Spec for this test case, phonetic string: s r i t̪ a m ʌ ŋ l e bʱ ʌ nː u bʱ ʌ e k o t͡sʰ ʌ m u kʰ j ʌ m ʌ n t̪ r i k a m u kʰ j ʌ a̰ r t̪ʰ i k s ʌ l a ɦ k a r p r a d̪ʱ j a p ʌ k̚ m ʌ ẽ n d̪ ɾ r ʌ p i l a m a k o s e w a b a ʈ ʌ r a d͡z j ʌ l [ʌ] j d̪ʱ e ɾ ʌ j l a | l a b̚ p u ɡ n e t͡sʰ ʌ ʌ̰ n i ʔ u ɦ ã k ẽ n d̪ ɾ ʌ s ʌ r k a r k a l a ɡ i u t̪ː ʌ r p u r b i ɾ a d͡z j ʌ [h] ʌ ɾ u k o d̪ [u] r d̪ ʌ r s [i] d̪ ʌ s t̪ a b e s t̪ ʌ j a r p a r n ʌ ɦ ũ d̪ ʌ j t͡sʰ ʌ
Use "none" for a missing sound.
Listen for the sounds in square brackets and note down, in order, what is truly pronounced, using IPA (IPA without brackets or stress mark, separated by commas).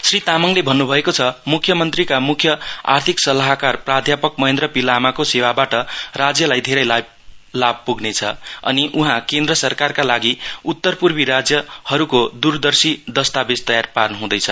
a, h, u, i